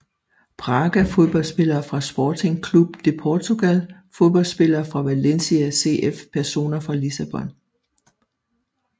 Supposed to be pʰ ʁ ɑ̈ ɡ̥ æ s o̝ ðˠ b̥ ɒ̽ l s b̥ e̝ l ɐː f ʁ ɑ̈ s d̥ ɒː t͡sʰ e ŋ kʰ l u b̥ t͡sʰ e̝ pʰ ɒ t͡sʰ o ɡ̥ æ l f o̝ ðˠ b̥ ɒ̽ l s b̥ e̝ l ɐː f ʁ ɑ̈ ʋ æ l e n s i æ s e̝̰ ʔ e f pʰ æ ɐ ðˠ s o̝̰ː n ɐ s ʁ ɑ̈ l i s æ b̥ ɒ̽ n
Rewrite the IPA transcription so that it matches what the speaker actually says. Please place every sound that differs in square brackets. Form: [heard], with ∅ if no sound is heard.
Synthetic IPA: pʰ ʁ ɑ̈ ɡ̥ æ [f] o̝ ðˠ b̥ ɒ̽ l s b̥ e̝ l ɐː f ʁ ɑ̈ s [b̥] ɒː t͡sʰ e ŋ kʰ l u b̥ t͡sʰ e̝ pʰ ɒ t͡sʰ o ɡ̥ æ l f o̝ ðˠ b̥ ɒ̽ l s b̥ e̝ l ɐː f ʁ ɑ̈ ʋ æ l e n s i æ s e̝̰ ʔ e f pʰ æ ɐ [∅] s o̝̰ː n ɐ [f] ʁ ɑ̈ l i s æ b̥ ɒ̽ n